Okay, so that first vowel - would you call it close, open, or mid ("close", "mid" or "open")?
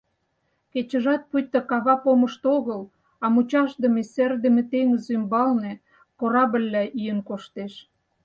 mid